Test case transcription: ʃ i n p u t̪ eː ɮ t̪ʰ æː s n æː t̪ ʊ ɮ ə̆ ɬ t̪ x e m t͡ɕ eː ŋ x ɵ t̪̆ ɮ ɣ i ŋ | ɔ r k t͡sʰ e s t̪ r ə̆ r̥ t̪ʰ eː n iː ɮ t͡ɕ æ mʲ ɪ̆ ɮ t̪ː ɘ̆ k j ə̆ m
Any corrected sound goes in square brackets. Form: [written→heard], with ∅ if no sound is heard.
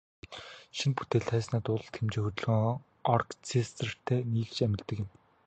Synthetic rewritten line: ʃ i n p u t̪ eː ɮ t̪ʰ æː s n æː t̪ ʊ ɮ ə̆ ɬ t̪ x e m t͡ɕ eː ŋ x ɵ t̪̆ ɮ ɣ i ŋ | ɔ r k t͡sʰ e s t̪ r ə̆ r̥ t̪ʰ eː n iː ɮ t͡ɕ æ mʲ ɪ̆ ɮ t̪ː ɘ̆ k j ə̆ m